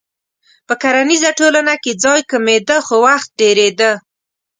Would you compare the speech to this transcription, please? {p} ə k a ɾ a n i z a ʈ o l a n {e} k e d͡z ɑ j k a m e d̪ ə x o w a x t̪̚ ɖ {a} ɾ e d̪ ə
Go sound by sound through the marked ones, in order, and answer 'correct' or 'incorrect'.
correct, incorrect, incorrect

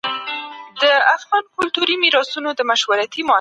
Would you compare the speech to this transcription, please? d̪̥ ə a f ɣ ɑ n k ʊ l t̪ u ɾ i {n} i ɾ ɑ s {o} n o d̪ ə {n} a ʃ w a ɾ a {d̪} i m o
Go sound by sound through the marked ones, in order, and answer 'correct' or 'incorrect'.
incorrect, incorrect, incorrect, incorrect

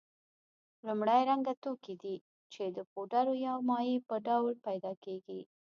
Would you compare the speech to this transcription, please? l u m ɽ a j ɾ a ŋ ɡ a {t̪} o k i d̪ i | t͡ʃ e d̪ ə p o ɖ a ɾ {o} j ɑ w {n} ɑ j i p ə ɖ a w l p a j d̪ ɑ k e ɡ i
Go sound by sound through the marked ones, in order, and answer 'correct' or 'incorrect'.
correct, correct, incorrect

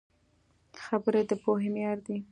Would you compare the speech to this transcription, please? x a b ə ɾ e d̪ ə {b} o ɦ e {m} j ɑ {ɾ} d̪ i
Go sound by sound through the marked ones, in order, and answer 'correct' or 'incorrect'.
incorrect, correct, correct

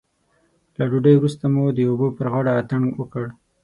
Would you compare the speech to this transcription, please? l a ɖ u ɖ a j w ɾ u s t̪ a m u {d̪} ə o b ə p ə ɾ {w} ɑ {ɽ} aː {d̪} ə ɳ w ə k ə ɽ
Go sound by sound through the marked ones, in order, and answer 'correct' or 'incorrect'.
correct, incorrect, correct, incorrect

